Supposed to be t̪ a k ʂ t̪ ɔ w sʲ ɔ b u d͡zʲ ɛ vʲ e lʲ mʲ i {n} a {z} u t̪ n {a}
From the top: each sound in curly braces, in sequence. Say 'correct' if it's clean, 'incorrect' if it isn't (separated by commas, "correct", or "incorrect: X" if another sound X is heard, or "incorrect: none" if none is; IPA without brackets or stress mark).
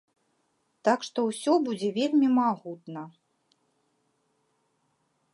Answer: incorrect: m, incorrect: ɣ, incorrect: ɐ